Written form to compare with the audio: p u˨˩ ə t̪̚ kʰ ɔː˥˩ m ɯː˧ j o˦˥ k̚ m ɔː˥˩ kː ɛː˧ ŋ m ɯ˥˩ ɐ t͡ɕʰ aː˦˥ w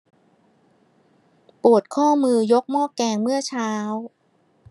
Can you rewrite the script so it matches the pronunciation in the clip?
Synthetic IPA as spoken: p u˨˩ ə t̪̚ kʰ ɔː˥˩ m ɯː˧ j o˦˥ k̚ m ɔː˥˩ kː ɛː˧ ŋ m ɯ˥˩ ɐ t͡ɕʰ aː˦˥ w